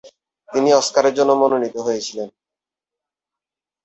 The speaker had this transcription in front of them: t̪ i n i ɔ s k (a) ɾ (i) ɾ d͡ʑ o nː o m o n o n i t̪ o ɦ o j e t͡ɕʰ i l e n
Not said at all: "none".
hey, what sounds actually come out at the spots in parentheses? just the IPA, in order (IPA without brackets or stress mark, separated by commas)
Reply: a, e